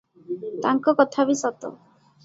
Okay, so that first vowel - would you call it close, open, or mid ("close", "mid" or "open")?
open